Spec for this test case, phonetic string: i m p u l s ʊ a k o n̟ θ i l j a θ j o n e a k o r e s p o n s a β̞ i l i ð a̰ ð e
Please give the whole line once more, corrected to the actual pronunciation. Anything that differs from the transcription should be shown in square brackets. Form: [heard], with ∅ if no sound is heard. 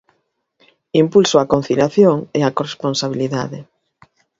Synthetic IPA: i m p u l s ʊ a k o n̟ θ i l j a θ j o [ŋ] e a k o r e s p o n s a β̞ i l i ð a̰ ð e